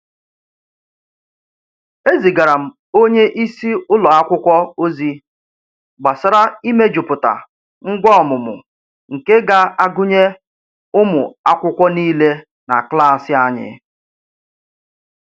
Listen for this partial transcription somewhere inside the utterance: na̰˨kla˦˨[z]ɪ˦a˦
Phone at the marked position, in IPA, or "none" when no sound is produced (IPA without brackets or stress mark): s